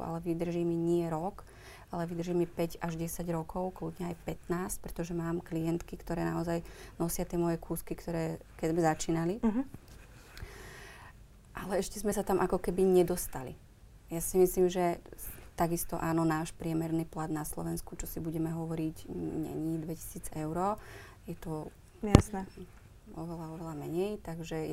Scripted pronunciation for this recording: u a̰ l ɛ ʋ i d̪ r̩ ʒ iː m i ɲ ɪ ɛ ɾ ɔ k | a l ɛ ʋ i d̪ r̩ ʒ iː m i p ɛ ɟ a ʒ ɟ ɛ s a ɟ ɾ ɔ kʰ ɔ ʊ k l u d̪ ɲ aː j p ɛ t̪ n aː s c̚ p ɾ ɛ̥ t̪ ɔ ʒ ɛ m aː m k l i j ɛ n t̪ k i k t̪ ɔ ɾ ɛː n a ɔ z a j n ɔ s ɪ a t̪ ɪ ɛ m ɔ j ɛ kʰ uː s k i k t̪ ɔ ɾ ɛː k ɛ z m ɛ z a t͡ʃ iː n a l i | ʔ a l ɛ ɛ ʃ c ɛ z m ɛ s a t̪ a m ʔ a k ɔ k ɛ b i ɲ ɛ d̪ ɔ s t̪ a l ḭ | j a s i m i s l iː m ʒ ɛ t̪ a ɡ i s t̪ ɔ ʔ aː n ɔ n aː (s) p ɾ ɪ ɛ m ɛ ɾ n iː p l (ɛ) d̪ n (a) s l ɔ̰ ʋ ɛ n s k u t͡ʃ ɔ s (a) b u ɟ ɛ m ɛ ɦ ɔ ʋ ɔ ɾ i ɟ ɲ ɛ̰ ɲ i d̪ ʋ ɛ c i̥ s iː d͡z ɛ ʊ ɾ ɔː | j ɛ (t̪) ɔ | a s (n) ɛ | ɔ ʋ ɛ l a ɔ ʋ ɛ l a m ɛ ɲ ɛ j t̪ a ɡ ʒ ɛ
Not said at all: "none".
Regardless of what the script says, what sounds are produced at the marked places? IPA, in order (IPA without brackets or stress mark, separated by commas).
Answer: ʃ, a, a, i, t̪, n